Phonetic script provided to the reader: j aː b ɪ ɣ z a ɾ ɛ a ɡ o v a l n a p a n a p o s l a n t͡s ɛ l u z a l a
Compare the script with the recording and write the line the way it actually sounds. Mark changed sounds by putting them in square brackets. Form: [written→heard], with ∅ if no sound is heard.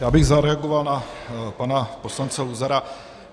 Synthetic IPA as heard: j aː b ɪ ɣ z a ɾ ɛ a ɡ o v a l n a p a n a p o s l a n t͡s ɛ l u z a [l→ɾ] a